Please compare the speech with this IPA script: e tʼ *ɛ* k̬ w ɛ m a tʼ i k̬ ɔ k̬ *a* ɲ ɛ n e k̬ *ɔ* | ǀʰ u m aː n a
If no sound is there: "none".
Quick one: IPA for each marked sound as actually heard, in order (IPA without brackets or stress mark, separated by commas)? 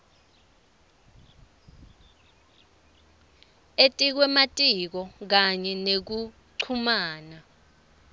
i, a, u